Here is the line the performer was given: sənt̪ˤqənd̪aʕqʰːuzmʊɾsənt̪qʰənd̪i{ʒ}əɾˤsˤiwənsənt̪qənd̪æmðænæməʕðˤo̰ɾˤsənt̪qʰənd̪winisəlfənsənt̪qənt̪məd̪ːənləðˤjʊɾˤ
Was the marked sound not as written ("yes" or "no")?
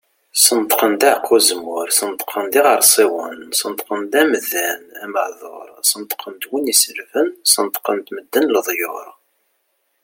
yes